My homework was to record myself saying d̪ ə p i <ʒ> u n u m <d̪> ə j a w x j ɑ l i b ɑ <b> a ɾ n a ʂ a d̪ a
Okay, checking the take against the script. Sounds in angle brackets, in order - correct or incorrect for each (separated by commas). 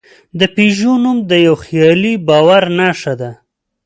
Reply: correct, correct, incorrect